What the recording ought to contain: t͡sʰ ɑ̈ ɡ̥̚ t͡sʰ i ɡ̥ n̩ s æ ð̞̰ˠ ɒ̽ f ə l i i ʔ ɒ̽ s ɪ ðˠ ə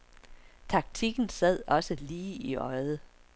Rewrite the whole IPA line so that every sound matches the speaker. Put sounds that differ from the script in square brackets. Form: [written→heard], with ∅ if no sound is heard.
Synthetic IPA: t͡sʰ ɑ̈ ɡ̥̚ t͡sʰ i ɡ̥ n̩ s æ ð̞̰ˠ ɒ̽ [f→s] ə l [i→iː] i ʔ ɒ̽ [s→∅] ɪ ðˠ ə